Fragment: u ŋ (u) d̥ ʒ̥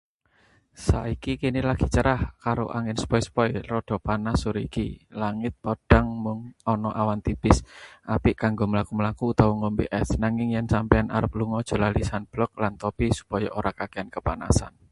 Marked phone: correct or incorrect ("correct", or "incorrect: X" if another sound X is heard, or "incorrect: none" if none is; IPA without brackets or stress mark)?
incorrect: ɔ